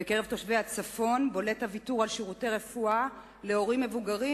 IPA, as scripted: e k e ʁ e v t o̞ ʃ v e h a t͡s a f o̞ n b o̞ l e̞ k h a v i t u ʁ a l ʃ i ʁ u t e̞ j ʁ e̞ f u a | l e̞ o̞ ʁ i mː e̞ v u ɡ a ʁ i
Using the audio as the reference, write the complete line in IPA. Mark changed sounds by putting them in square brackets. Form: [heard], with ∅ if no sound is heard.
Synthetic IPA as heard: e k e ʁ e v t o̞ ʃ v e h a t͡s a f o̞ n b o̞ l e̞ [t] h a v i t u ʁ a l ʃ i ʁ u t e̞ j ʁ e̞ f u a | l e̞ o̞ ʁ i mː e̞ v u ɡ a ʁ i